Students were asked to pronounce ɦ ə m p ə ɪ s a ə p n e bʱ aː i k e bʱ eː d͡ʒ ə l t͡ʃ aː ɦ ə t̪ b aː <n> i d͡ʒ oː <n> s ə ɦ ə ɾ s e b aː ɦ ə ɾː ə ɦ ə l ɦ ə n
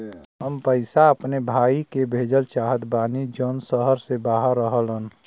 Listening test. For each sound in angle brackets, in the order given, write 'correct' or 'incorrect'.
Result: correct, correct

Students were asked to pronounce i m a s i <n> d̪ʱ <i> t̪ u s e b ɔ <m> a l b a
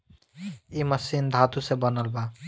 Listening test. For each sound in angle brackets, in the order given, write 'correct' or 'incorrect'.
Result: correct, incorrect: a, incorrect: n

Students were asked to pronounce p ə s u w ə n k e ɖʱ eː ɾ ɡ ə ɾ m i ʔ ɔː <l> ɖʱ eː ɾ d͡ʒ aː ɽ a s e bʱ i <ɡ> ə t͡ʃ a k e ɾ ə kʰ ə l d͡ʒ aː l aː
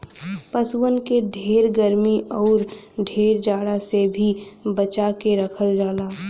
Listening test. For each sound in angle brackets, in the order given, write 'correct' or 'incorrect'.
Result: incorrect: ɾ, incorrect: b

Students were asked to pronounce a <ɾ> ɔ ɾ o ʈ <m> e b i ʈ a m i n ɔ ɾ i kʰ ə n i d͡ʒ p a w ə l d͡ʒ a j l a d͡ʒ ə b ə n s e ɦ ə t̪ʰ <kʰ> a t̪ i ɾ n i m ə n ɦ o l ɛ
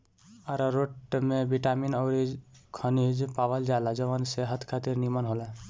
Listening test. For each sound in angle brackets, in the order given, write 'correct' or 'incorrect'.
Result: correct, correct, correct

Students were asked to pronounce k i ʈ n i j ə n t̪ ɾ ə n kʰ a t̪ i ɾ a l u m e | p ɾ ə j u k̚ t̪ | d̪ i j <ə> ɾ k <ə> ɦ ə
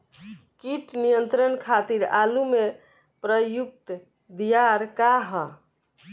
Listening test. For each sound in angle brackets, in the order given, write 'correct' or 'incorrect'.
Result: incorrect: a, incorrect: a

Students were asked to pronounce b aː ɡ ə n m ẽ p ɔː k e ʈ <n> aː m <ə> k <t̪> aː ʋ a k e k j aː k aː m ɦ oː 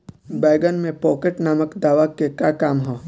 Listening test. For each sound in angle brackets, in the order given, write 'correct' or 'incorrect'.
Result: correct, correct, incorrect: d̪

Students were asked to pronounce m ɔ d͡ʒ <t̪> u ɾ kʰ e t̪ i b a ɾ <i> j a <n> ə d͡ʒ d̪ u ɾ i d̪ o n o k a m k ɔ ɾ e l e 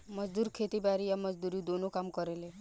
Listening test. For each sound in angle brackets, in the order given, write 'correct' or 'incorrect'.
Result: incorrect: d̪, correct, incorrect: m

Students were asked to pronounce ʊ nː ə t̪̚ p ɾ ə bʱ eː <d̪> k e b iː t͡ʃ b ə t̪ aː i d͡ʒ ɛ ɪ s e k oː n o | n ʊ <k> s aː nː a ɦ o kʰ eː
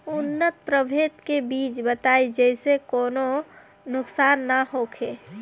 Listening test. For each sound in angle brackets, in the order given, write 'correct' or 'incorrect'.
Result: incorrect: t̪, correct

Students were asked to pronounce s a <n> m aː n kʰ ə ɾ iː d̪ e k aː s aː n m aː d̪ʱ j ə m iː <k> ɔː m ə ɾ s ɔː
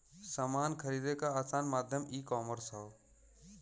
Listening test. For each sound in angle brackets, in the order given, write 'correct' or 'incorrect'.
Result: incorrect: none, correct

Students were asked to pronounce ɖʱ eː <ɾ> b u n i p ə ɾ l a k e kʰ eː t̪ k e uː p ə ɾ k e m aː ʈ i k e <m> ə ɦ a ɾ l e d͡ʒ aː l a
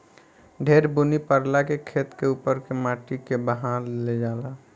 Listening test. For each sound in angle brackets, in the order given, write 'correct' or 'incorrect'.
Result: correct, incorrect: b

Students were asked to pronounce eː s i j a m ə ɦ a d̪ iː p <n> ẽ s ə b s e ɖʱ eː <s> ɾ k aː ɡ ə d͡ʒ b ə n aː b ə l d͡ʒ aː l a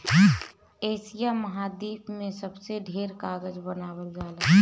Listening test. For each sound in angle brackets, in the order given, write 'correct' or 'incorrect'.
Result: incorrect: m, incorrect: none

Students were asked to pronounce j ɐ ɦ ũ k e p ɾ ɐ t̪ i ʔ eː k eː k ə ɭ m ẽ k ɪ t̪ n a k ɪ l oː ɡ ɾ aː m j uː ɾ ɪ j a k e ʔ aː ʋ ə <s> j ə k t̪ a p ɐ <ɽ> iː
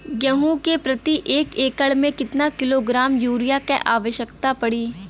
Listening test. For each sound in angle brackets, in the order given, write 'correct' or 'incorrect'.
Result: incorrect: ʃ, correct

